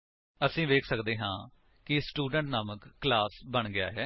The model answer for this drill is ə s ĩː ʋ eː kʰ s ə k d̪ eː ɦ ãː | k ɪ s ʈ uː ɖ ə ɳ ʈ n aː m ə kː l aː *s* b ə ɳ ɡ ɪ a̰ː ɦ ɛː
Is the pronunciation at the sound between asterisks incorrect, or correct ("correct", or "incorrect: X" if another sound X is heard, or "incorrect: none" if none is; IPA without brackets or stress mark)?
correct